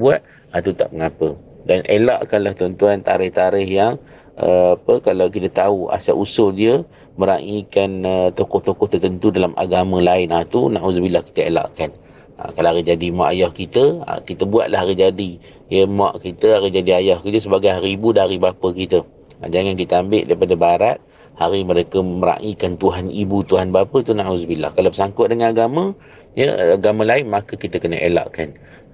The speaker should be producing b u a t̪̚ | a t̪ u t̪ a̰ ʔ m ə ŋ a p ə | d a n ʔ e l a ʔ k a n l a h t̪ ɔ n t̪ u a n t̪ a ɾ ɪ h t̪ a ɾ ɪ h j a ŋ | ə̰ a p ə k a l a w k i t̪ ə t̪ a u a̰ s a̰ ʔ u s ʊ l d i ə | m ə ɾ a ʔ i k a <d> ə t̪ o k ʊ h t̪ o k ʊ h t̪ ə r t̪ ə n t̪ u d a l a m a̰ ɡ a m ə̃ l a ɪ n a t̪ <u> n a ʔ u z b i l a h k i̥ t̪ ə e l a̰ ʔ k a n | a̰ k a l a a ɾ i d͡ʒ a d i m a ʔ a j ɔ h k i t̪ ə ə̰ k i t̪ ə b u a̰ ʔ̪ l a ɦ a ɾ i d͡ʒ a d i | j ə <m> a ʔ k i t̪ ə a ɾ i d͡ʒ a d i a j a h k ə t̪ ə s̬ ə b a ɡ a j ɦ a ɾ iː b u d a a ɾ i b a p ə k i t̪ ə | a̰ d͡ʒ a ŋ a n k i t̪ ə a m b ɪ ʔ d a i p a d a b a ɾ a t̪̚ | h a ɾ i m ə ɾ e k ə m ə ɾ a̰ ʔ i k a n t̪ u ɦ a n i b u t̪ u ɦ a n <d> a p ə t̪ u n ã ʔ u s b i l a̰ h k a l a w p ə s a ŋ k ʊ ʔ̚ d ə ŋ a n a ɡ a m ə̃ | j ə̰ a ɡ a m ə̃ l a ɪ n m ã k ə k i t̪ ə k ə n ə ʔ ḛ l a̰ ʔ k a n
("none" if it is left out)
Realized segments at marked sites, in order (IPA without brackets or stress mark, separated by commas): n, u, m, b